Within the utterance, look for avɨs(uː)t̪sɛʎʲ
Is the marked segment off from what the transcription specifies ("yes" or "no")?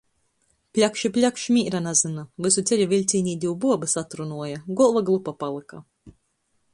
yes